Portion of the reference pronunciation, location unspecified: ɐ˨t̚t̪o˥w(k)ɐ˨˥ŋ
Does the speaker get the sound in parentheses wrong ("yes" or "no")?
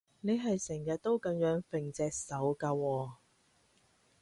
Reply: no